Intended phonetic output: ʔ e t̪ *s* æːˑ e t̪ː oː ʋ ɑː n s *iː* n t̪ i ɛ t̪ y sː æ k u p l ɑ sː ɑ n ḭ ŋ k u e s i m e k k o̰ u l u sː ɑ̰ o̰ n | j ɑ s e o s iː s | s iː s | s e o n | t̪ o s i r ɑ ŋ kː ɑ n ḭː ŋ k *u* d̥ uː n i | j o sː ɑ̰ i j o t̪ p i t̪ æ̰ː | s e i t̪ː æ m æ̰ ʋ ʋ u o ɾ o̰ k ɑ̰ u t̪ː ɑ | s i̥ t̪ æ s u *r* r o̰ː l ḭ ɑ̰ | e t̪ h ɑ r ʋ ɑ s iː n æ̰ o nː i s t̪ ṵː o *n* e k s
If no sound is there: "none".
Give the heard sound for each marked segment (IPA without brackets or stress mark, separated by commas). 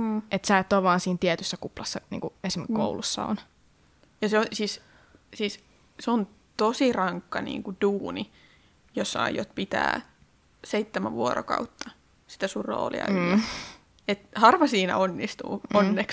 s, iː, u, r, nː